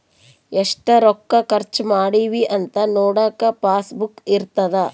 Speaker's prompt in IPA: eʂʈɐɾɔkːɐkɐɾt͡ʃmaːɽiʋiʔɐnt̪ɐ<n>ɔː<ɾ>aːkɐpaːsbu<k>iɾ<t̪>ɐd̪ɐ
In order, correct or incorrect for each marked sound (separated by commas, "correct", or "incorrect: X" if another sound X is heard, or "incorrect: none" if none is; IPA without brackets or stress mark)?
correct, incorrect: ɽ, correct, correct